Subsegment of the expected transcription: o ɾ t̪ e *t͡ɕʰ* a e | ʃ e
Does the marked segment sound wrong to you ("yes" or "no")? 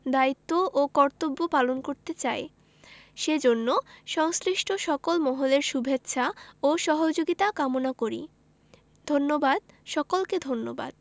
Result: yes